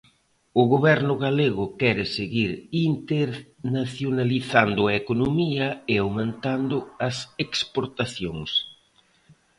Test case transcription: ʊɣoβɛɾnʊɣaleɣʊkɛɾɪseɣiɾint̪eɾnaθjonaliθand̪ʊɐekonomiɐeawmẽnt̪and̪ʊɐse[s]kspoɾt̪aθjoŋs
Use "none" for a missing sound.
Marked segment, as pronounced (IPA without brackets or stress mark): none